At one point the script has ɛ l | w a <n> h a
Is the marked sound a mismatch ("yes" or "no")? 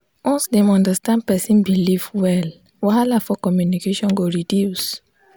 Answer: yes